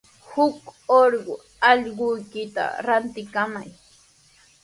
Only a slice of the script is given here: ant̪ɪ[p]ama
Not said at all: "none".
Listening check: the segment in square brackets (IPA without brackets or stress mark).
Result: k